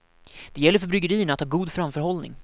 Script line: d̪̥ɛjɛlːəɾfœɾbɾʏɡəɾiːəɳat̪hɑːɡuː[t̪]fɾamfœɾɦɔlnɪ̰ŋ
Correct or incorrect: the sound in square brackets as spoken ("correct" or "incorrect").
incorrect